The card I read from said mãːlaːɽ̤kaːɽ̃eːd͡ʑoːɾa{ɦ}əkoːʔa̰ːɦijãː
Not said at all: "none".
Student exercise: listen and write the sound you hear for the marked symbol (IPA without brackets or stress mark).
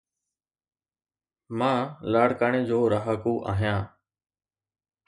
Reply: ɦ